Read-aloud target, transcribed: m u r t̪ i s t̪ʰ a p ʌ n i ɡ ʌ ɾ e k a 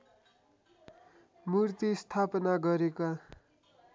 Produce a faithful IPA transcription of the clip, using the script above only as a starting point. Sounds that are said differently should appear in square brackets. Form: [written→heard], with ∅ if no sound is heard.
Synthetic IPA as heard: m u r t̪ i s t̪ʰ a p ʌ n [i→a] ɡ ʌ ɾ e k a